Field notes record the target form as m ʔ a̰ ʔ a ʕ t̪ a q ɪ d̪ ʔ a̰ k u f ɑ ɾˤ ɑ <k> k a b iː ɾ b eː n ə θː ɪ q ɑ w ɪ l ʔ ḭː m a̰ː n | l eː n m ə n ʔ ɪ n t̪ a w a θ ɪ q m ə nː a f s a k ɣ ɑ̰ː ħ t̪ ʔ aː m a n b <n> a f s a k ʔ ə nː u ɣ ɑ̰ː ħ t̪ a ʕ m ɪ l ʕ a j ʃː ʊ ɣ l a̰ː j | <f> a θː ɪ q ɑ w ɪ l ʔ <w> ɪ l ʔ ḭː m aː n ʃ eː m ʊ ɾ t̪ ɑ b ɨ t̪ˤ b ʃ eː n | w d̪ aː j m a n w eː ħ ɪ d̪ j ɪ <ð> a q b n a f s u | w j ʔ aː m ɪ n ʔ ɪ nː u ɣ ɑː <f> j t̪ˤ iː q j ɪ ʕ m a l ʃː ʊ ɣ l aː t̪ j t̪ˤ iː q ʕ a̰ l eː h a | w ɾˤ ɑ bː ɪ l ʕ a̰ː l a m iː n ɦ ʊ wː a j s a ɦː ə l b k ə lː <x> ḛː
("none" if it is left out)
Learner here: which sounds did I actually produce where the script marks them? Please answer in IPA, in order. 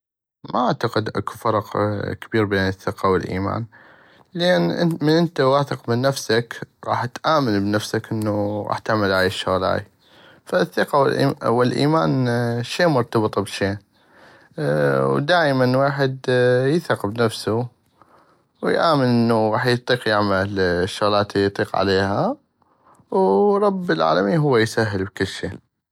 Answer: q, n, f, w, θ, ħ, ʃ

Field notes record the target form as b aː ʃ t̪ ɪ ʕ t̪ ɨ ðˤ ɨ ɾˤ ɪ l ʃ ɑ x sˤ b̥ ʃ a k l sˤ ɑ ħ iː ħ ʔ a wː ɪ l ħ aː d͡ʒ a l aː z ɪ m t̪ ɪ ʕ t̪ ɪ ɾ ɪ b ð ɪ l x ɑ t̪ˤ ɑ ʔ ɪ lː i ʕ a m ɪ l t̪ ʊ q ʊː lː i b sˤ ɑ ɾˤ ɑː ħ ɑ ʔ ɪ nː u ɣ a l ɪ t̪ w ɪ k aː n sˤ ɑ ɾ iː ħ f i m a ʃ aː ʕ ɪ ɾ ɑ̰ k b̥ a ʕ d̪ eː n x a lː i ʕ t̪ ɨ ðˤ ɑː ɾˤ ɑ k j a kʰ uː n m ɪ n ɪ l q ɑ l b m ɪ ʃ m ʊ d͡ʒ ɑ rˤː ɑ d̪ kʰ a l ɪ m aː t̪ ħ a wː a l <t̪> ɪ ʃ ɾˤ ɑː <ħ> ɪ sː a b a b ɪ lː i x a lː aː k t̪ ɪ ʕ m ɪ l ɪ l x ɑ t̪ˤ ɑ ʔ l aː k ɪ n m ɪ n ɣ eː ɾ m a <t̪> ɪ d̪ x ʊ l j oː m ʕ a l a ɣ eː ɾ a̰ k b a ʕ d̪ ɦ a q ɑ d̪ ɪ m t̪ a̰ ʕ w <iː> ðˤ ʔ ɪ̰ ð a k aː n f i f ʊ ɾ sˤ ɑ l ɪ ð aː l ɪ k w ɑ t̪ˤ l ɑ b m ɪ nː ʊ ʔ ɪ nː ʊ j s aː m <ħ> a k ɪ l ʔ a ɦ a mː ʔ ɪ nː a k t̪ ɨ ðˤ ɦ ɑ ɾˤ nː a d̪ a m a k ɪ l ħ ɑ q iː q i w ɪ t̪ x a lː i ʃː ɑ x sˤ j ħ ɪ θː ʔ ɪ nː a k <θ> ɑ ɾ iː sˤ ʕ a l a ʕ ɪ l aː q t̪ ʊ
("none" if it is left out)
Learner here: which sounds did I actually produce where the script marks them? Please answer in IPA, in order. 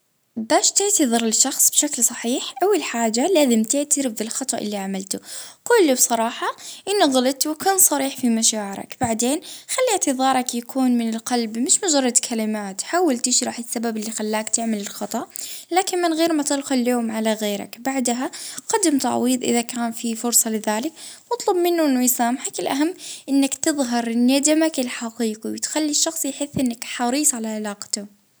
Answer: t̪, ħ, t̪, iː, ħ, ħ

